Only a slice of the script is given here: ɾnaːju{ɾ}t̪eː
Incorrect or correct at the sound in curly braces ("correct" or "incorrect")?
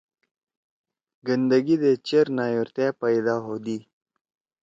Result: correct